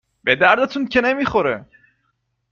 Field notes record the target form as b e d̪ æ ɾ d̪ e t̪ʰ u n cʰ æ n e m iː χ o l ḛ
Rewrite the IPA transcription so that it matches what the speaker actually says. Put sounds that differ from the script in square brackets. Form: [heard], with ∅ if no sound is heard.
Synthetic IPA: b e d̪ æ ɾ d̪ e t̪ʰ u n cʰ [e] n e m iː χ o [ɾ] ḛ